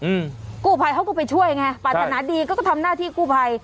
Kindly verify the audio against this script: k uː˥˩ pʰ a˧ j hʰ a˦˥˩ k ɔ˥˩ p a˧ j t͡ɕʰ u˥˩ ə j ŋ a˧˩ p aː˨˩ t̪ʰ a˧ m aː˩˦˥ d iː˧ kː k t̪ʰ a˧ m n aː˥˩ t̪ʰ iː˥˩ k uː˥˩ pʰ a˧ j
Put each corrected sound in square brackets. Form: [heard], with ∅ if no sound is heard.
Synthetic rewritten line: k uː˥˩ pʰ a˧ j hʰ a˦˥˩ k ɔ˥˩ p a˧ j t͡ɕʰ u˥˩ ə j ŋ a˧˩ p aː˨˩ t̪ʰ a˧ [n] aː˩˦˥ d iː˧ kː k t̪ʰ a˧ m n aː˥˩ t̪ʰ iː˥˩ k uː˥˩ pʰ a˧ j

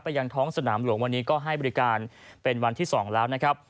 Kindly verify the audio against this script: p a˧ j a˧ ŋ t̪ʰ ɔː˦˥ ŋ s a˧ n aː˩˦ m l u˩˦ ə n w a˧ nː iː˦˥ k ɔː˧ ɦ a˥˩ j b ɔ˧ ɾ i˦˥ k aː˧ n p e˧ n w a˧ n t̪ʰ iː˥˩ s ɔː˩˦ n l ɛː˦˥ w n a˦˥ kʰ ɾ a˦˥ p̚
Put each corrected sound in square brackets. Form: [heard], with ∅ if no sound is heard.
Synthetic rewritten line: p a˧ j a˧ ŋ t̪ʰ ɔː˦˥ ŋ s a˧ n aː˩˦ m l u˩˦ ə [ŋ] w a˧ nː iː˦˥ k [ɔː˥˩] ɦ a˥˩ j b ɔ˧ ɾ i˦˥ k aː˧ n p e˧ n w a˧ n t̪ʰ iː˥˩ s ɔː˩˦ [ŋ] l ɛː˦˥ w n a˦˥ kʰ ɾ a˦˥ p̚

